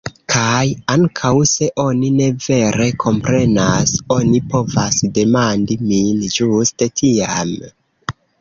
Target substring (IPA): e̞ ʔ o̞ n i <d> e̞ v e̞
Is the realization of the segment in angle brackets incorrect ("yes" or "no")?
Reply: yes